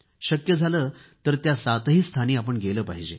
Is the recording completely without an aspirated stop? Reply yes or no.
no